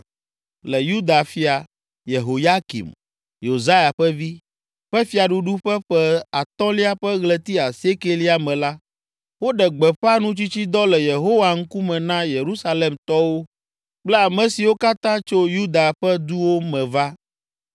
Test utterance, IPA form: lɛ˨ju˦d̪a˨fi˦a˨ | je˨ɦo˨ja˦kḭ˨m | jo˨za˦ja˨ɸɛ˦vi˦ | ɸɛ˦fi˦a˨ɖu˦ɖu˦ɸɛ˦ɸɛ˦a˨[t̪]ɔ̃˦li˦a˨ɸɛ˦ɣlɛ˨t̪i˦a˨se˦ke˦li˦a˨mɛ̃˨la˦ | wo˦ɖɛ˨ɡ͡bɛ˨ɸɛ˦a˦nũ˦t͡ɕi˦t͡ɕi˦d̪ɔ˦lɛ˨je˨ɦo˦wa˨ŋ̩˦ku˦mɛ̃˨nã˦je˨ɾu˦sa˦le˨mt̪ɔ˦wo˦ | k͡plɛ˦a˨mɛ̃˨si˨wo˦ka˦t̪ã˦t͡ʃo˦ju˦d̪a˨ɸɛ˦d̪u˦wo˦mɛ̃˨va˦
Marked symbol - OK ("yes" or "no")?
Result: yes